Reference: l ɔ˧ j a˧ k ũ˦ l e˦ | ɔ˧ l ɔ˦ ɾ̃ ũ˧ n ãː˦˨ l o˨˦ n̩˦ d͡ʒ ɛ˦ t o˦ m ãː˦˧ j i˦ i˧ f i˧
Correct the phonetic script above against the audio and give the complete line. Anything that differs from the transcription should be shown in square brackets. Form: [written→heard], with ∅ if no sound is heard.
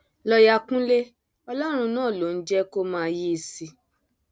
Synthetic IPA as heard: l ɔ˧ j a˧ k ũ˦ l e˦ | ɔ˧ l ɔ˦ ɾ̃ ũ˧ n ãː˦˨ l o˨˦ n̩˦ d͡ʒ ɛ˦ [t→k] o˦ m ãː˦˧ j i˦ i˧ [f→s] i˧